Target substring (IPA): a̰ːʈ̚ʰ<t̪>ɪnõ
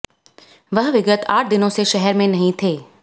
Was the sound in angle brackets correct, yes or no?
no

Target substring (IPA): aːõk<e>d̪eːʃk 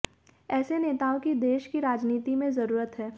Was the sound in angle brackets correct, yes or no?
no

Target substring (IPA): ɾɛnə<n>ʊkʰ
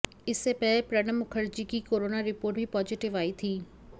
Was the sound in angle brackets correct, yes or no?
no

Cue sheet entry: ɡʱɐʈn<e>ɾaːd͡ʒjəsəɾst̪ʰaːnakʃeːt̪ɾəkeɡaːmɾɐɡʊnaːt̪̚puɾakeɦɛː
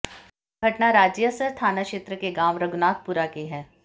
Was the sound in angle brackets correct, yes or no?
no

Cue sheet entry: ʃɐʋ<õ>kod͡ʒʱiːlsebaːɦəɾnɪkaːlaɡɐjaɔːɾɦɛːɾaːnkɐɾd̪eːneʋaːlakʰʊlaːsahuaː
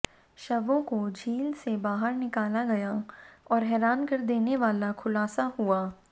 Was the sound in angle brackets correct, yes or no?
yes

